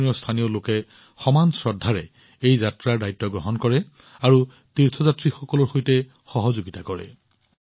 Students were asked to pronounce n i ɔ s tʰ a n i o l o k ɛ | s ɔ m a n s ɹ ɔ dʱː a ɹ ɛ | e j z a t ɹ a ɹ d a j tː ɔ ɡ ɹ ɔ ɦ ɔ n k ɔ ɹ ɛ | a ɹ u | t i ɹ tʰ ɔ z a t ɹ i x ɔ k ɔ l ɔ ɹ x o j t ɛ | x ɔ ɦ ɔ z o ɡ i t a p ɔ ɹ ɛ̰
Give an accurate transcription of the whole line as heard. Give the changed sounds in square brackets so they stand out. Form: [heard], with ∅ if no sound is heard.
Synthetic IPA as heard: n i ɔ s tʰ a n i o l o k ɛ | [x] ɔ m a n s ɹ ɔ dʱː a ɹ ɛ | e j z a t ɹ a ɹ d a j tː ɔ ɡ ɹ ɔ ɦ ɔ n k ɔ ɹ ɛ | a ɹ u | t i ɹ tʰ ɔ z a t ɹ i x ɔ k ɔ l ɔ ɹ x o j t ɛ | x ɔ ɦ ɔ z o ɡ i t a [k] ɔ ɹ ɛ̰